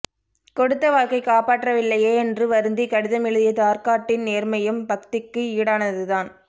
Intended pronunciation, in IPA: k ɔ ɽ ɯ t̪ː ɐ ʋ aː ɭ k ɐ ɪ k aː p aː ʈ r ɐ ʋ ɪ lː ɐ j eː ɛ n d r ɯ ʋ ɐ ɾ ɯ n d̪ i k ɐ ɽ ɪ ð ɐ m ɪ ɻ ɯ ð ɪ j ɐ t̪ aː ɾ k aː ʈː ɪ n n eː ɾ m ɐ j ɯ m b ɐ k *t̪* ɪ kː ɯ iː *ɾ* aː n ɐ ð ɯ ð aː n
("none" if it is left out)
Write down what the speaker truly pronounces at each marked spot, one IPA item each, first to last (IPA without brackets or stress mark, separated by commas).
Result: t̪, ɽ